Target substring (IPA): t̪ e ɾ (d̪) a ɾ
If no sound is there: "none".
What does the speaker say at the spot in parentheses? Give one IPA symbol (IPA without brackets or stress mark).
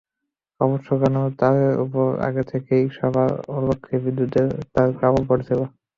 t̪